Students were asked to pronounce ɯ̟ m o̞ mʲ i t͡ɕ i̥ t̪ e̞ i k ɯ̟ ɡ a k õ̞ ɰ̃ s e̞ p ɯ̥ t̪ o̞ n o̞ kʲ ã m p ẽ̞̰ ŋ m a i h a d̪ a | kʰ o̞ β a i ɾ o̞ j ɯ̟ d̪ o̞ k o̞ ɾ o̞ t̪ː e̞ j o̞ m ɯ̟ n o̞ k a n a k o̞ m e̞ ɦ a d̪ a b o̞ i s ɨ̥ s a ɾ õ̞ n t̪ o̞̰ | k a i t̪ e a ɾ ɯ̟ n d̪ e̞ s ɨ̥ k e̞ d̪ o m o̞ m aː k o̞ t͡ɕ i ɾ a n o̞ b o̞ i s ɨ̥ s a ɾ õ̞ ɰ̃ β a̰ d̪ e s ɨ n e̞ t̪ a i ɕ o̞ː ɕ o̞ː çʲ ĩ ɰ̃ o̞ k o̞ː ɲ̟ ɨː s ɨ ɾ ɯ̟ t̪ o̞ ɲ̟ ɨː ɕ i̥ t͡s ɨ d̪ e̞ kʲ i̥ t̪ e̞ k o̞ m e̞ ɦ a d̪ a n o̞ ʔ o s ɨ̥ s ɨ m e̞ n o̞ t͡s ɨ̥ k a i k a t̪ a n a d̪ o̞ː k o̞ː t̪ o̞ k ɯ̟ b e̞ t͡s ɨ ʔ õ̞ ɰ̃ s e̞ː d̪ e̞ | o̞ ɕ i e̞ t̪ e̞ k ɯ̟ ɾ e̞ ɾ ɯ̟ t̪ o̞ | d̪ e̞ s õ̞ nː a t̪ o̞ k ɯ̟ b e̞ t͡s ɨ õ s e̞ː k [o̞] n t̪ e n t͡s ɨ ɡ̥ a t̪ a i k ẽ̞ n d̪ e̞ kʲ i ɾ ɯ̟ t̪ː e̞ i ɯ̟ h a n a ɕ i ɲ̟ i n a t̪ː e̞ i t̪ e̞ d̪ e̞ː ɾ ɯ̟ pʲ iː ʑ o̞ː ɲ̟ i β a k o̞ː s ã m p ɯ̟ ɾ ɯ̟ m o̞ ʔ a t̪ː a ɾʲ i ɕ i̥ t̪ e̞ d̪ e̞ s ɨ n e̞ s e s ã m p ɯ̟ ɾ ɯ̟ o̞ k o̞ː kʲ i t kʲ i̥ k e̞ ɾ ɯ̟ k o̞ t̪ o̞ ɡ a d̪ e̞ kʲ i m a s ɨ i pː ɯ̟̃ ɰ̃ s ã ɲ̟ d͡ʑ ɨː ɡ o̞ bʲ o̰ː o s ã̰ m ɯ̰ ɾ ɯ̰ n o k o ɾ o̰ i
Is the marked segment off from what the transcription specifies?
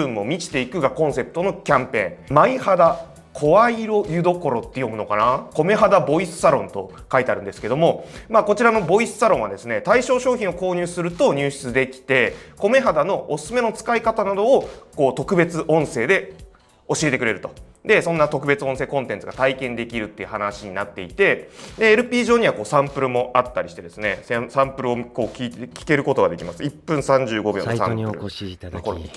yes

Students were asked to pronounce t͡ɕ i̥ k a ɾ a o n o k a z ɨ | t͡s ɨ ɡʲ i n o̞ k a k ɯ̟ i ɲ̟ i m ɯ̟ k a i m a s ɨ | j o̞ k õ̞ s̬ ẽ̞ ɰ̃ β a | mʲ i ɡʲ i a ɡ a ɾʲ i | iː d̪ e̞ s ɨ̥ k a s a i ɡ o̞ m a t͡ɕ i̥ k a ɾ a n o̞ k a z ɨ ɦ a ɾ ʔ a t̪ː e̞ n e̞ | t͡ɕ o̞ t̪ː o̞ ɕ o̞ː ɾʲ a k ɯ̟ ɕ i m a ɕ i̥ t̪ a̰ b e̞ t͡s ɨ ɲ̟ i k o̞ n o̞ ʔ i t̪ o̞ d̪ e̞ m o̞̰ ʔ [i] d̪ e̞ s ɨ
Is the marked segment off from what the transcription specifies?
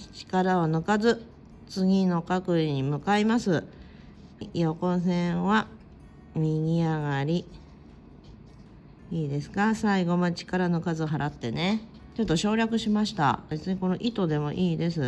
yes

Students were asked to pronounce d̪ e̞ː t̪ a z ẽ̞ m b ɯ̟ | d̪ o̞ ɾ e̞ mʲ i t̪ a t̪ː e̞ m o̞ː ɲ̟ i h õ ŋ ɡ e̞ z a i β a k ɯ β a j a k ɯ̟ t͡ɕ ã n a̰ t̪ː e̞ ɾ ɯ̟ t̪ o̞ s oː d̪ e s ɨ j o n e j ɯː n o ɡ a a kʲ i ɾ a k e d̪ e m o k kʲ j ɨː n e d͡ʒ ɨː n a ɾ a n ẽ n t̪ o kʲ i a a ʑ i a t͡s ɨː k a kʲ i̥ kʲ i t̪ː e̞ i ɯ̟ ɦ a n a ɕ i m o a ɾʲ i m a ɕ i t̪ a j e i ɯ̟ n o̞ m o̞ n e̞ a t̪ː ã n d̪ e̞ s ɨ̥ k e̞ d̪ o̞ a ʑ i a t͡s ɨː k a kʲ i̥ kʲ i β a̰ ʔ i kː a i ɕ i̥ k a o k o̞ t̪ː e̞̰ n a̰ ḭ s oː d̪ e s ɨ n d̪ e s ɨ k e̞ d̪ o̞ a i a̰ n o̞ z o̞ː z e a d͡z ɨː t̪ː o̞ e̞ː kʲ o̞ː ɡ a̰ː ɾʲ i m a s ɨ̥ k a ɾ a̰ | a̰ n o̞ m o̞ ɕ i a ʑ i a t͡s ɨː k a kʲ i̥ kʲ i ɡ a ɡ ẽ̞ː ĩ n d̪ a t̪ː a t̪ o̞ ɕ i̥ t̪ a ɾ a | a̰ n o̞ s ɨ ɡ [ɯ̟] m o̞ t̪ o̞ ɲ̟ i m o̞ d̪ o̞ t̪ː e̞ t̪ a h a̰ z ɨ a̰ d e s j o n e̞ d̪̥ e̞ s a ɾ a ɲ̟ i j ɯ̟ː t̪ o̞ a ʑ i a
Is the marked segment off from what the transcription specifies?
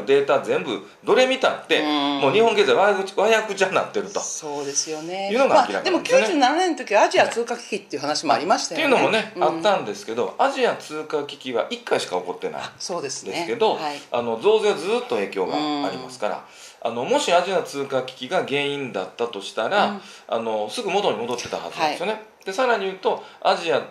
no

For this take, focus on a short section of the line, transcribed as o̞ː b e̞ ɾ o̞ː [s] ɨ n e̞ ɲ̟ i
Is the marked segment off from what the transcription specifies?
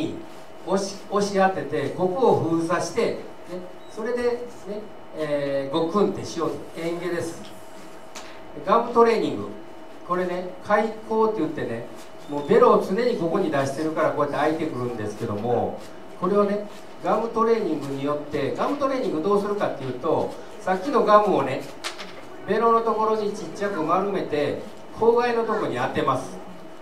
yes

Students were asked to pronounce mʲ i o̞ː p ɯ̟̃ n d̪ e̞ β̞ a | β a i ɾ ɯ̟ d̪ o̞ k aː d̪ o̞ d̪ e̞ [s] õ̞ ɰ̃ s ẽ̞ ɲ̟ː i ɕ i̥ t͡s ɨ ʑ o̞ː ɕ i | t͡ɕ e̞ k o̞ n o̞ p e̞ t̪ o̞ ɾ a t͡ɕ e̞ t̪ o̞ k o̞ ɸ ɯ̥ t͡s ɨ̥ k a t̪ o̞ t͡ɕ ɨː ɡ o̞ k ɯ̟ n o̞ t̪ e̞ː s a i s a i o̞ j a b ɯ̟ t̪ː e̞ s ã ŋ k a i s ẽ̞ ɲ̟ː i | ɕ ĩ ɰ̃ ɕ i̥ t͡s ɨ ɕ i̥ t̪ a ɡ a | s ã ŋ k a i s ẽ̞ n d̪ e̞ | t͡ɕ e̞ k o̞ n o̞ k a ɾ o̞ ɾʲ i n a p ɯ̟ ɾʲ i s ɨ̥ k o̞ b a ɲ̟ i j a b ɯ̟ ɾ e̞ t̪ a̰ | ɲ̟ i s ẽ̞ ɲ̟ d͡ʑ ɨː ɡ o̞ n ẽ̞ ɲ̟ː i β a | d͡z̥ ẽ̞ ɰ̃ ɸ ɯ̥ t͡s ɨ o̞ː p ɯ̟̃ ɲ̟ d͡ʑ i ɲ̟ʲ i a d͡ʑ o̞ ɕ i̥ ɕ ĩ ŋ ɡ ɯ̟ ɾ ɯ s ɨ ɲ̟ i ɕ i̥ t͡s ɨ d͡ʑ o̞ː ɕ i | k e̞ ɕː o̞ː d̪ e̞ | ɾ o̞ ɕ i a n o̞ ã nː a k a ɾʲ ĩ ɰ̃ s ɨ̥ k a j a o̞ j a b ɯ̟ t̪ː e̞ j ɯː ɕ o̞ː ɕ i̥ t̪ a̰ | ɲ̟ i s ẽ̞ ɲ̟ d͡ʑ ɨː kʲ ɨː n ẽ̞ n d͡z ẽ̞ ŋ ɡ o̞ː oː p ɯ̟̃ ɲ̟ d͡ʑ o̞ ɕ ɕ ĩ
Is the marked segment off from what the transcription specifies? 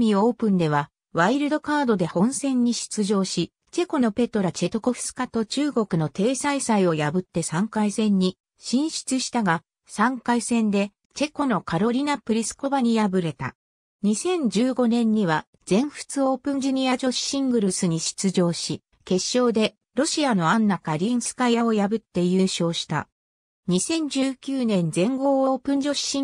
yes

